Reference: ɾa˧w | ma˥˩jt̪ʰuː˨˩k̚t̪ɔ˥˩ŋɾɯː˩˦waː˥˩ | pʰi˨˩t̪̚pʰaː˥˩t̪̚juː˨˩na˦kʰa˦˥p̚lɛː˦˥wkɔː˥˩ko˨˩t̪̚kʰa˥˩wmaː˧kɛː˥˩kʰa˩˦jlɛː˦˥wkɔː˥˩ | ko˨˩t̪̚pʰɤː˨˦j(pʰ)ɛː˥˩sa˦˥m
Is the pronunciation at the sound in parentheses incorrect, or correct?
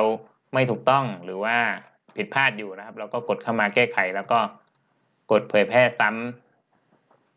correct